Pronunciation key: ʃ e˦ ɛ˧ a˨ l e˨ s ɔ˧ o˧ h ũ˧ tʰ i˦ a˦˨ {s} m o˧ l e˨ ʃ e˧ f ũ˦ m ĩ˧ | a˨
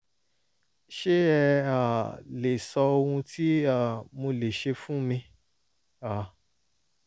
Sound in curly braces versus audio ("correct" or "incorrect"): incorrect